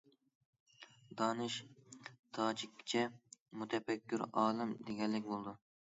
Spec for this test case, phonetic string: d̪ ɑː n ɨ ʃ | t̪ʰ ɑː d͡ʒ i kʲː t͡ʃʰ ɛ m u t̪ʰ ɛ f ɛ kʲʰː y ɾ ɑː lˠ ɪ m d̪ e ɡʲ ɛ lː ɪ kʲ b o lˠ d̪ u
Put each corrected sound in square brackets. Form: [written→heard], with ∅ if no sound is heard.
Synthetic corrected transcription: d̪ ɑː n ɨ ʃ | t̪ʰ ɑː d͡ʒ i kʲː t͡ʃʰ ɛ m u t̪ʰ ɛ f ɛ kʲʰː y ɾ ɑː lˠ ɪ m d̪ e ɡʲ ɛ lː ɪ kʲ b o lˠ d̪ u